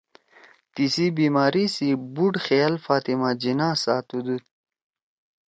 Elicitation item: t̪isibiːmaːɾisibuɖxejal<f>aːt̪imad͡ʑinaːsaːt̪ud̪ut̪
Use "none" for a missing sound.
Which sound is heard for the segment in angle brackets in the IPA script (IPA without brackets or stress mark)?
f